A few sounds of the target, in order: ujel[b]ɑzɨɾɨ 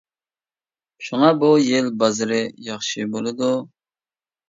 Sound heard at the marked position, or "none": b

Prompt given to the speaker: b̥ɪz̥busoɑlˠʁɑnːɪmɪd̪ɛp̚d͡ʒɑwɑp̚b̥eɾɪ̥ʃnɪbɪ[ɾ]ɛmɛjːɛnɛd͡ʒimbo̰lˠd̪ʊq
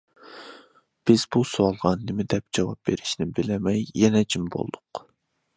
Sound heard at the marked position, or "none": l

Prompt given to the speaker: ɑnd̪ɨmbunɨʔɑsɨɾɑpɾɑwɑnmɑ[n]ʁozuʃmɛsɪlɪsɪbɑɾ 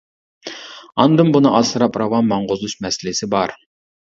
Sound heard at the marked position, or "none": ɴ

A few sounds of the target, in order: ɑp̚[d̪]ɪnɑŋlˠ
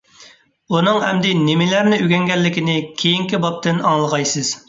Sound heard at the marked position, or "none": t̪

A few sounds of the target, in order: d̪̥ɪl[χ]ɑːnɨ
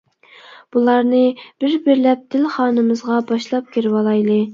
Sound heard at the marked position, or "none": χ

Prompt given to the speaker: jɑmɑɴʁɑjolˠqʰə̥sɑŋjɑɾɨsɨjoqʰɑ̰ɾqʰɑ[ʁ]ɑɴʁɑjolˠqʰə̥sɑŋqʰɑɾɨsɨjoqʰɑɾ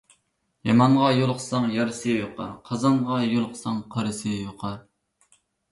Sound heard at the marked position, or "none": z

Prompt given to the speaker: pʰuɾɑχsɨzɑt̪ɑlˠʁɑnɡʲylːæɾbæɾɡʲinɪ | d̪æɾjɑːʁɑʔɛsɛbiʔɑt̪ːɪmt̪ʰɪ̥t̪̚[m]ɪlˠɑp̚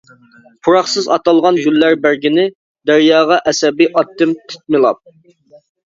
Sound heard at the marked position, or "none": m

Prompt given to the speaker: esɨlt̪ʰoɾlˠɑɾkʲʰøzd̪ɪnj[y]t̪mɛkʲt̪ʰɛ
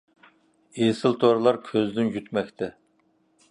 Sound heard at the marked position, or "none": y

